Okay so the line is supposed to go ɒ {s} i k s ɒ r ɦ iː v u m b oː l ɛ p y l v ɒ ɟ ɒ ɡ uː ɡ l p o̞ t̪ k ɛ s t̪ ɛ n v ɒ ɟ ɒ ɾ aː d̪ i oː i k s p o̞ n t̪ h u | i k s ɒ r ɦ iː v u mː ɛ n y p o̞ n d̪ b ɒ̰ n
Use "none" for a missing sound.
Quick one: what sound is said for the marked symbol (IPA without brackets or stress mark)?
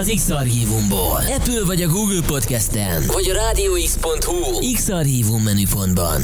z